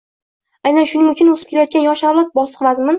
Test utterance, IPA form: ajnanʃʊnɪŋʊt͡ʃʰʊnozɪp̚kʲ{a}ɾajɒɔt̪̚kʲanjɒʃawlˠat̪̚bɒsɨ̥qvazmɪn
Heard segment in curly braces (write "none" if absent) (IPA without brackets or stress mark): e